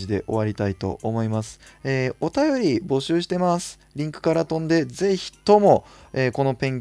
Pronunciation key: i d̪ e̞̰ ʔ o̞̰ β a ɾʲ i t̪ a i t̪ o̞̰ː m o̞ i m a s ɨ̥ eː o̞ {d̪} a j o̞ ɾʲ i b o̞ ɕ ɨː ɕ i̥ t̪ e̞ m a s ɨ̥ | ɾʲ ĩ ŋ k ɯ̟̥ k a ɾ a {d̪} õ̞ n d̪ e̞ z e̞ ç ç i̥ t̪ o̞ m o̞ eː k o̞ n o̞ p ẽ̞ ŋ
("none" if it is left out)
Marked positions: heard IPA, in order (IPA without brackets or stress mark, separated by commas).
t̪, t̪